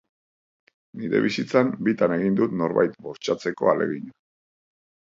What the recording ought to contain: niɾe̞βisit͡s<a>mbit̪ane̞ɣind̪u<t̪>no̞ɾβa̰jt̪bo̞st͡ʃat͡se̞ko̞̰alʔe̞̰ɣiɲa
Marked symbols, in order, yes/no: yes, yes

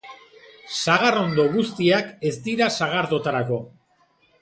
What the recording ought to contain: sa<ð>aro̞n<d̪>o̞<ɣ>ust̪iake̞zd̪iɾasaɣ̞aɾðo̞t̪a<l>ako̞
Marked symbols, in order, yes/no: no, yes, yes, no

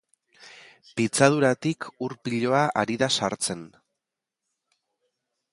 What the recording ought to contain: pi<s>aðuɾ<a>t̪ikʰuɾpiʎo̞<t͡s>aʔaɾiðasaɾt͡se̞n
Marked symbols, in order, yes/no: no, yes, no

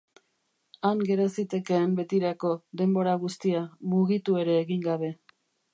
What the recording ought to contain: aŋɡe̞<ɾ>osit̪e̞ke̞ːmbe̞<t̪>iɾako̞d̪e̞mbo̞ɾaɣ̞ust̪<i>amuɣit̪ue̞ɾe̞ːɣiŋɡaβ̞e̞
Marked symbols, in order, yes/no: yes, yes, yes

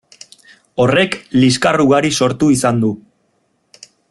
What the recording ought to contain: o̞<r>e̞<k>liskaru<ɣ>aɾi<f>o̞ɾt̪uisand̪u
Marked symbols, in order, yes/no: yes, yes, yes, no

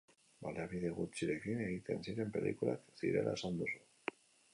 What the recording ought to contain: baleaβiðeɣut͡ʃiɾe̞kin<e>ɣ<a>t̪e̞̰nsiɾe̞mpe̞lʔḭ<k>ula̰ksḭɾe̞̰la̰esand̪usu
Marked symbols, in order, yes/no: yes, no, yes

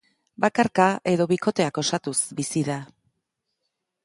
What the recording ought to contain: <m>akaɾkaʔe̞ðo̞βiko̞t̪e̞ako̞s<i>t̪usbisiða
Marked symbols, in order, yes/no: no, no

